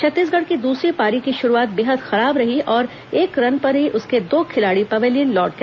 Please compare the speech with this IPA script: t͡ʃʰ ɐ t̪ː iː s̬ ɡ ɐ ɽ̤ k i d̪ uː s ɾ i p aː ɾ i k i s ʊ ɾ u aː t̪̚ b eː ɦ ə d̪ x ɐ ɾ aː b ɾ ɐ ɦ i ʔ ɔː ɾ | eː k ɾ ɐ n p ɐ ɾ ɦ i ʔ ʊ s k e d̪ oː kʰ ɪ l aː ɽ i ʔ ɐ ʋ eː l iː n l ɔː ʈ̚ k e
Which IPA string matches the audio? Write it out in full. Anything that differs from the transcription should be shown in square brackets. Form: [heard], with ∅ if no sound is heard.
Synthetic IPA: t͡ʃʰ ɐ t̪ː iː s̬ ɡ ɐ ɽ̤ k i d̪ uː s ɾ i p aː ɾ i k i [ʃ] ʊ ɾ u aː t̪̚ b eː ɦ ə d̪ x ɐ ɾ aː b ɾ ɐ ɦ i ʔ ɔː ɾ | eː k ɾ ɐ n p ɐ ɾ ɦ i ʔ ʊ s k e d̪ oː kʰ ɪ l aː ɽ i [p] ɐ ʋ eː l iː n l ɔː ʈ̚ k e